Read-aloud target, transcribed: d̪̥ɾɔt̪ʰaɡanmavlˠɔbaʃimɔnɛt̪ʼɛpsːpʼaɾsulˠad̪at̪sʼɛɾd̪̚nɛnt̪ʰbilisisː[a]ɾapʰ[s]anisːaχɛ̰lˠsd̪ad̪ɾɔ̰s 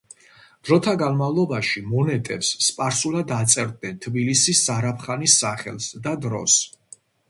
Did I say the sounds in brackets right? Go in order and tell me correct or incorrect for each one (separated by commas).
correct, incorrect